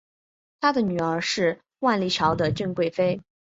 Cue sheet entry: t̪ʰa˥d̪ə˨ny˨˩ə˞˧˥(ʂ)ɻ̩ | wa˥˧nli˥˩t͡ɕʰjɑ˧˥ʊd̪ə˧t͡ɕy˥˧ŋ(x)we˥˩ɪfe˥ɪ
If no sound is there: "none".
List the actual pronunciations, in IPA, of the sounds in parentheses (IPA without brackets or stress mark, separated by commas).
ʂ, k